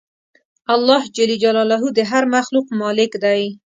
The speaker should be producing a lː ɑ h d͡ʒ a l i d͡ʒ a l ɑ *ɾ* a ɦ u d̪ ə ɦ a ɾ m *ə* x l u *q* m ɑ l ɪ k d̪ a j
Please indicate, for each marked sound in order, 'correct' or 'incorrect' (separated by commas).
incorrect, incorrect, correct